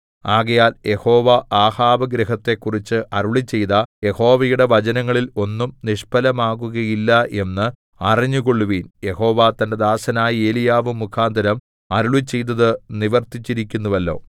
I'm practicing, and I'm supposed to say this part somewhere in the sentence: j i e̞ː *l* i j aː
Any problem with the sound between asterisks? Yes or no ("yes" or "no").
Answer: no